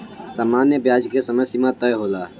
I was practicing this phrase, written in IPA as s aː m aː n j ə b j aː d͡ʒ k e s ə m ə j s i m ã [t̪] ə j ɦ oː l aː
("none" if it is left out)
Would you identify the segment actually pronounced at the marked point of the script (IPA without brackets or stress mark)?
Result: t̪